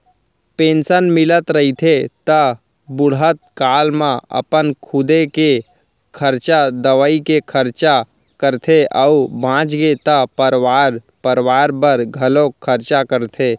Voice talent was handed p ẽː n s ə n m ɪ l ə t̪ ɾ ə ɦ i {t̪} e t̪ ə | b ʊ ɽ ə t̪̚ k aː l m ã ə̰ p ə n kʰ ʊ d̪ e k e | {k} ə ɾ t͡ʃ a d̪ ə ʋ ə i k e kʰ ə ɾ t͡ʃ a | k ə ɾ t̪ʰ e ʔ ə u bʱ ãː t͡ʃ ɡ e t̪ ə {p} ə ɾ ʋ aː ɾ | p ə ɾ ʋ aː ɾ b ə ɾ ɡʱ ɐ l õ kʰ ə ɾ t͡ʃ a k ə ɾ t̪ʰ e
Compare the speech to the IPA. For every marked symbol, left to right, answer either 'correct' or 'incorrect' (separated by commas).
incorrect, incorrect, correct